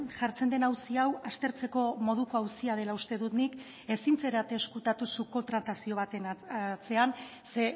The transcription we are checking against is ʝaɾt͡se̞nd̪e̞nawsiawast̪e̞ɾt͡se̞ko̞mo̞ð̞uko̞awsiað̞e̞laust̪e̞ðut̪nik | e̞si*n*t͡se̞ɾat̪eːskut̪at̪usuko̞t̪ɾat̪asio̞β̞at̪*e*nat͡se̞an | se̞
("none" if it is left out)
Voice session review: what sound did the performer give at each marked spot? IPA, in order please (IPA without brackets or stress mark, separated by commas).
n, e